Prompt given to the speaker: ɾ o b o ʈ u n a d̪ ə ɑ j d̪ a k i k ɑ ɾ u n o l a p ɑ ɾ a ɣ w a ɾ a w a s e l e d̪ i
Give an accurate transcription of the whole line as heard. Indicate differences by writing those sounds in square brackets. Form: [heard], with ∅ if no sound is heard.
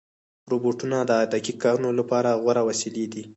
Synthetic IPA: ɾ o b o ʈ u n a d̪ ə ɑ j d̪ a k i k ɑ ɾ u n o l a p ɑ ɾ a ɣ w a ɾ a w a s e l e d̪ i